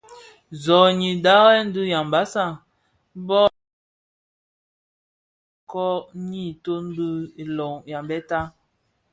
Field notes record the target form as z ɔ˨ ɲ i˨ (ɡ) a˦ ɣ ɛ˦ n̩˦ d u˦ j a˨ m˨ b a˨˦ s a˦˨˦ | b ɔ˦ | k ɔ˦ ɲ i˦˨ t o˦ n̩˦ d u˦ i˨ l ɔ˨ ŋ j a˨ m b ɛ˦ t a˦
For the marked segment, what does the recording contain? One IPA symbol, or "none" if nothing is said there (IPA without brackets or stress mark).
d